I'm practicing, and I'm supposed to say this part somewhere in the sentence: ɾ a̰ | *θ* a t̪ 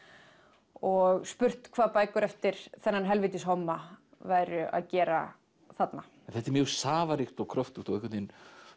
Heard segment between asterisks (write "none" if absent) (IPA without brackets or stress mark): θ